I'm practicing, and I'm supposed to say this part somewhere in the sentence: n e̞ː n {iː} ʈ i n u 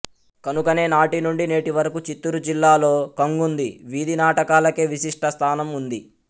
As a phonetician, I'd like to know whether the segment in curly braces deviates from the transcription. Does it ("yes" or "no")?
yes